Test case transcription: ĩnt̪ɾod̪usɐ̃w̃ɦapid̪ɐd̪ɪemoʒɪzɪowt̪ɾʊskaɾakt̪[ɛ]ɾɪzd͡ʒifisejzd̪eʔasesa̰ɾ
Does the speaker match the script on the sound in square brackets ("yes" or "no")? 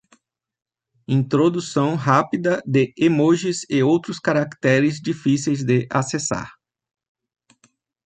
yes